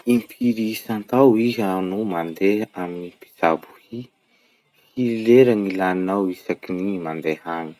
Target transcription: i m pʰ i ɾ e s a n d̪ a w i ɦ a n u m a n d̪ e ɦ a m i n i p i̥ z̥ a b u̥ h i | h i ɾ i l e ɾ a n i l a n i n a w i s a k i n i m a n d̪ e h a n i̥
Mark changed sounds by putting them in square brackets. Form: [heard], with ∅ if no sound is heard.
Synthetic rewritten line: i m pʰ i ɾ [i] s a n [t̪] a w i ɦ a n u m a n d̪ e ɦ a m i n i p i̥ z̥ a b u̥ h i | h i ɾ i l e ɾ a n i l a n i n a w i s a k i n i m a n d̪ e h a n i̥